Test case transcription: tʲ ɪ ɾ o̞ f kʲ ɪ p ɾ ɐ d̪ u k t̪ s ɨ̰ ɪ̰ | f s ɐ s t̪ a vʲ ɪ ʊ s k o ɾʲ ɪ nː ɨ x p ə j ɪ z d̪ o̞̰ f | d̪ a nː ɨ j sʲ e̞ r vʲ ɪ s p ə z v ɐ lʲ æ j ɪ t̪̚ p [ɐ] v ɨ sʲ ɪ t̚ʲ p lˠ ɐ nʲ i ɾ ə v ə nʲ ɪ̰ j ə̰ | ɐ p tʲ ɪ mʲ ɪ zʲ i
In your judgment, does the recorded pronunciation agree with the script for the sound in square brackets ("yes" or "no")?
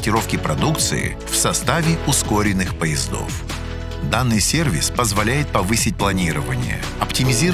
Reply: yes